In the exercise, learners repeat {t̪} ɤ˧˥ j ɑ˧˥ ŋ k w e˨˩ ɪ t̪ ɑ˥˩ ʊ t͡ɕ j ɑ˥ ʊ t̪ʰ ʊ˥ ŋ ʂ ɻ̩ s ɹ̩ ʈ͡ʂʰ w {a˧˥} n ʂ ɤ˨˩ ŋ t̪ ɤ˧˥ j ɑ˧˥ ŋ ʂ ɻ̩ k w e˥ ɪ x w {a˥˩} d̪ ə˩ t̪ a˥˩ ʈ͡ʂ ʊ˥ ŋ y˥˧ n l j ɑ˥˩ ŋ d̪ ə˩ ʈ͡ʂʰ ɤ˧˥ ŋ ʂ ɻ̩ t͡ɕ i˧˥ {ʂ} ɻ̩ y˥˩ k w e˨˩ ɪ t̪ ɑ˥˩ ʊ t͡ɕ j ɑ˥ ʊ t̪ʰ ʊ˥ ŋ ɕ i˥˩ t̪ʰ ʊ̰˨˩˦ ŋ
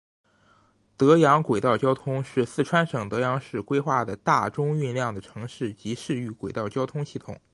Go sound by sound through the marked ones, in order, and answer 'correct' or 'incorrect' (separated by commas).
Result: correct, incorrect, correct, correct